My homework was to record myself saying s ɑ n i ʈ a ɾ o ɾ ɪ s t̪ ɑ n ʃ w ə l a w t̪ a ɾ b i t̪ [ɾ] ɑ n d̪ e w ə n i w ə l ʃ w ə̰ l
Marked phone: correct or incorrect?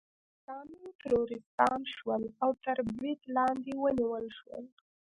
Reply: incorrect: l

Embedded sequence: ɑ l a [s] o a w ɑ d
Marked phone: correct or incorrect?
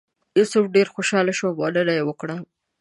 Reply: incorrect: ʃ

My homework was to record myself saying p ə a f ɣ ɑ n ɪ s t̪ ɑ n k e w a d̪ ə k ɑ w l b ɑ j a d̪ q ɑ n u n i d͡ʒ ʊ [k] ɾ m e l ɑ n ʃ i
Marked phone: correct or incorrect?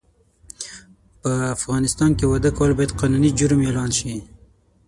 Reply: incorrect: none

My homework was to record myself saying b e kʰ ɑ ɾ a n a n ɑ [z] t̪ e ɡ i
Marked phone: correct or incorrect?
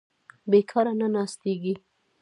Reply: incorrect: s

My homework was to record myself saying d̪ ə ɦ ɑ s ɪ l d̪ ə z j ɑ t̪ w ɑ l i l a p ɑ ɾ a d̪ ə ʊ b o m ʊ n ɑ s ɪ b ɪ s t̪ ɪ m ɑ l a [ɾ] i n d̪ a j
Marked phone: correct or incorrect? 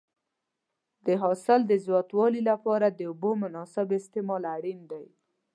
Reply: incorrect: ɽ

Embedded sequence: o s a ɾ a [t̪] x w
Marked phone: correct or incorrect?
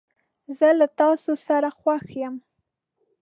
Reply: incorrect: none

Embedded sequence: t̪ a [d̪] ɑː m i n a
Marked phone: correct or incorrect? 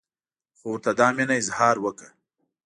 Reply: correct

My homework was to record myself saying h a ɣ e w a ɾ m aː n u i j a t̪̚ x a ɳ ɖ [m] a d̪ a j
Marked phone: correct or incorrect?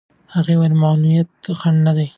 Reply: incorrect: n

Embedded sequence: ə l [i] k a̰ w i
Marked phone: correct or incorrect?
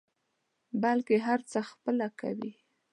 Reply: incorrect: a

